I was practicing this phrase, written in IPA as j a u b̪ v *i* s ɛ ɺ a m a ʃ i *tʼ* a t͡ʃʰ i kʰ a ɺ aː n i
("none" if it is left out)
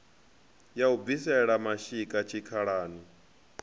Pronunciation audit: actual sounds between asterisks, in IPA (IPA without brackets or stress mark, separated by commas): i, kʼ